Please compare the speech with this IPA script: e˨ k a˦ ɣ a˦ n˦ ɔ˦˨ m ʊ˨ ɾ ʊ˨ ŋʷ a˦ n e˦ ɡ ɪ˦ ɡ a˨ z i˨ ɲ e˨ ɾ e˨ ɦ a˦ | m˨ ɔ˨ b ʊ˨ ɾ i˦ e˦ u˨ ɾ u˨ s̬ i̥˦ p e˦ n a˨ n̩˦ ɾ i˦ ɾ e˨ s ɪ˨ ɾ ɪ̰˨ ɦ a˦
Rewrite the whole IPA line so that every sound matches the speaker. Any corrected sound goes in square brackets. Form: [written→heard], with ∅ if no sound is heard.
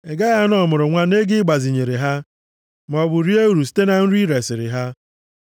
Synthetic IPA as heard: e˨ [k→ɡ] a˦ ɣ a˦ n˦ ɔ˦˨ m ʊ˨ ɾ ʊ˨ ŋʷ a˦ n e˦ ɡ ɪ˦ [ɡ→ɡ͡b] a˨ z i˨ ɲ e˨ ɾ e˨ ɦ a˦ | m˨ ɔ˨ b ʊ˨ ɾ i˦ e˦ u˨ ɾ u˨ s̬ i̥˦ [p→t] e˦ n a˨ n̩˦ ɾ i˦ ɾ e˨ s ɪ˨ ɾ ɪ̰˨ ɦ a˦